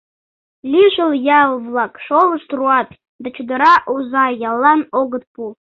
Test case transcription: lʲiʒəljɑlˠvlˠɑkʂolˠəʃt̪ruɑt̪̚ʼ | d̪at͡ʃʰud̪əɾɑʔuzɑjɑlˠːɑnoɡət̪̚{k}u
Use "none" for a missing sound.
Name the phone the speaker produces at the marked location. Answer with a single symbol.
p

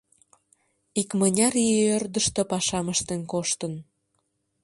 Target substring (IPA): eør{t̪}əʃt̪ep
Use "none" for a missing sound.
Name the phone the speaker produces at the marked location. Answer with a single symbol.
d̪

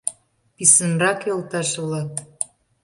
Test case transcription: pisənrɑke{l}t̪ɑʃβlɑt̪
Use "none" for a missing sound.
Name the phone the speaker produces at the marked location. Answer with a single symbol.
l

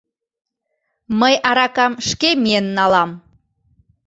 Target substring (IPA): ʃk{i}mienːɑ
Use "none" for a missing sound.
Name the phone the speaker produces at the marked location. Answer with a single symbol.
e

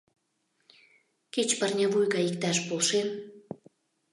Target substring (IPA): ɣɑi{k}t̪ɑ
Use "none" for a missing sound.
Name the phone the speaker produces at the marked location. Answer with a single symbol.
k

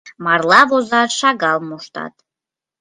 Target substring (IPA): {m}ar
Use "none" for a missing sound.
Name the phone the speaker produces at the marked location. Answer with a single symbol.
m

